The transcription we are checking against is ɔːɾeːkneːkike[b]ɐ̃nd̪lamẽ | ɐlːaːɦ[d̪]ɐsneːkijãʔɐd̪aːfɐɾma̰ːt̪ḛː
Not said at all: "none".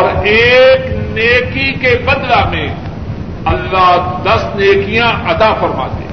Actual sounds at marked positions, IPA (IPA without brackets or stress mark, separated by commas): b, d̪